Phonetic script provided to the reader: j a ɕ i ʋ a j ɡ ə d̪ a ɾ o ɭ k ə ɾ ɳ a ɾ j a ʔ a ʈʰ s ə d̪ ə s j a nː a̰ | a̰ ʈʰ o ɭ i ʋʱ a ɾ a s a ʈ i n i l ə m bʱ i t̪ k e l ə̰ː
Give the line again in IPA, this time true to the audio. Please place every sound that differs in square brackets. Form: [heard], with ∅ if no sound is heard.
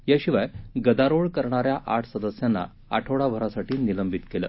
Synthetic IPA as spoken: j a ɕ i ʋ a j ɡ ə d̪ a ɾ o ɭ k ə ɾ ɳ a ɾ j a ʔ a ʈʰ s ə d̪ ə s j a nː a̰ | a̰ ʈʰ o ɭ [a] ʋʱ [ə] ɾ a s a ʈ [iː] n i l ə m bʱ i t̪ k e l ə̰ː